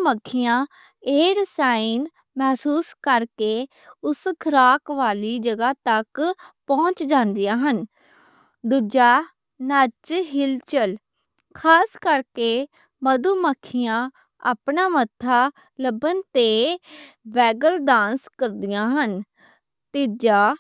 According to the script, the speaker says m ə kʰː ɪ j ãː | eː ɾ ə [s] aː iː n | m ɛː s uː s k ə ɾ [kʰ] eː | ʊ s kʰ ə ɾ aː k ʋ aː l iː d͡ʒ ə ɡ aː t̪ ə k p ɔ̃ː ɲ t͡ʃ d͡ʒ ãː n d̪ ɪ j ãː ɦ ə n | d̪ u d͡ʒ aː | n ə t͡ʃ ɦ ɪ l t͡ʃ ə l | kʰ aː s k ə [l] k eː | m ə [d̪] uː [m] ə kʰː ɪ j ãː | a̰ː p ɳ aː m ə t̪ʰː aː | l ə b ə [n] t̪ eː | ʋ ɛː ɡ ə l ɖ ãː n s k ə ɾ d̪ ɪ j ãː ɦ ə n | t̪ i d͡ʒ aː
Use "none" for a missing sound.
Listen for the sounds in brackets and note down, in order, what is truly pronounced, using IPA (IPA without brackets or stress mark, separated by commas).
s, k, ɾ, d̪, m, n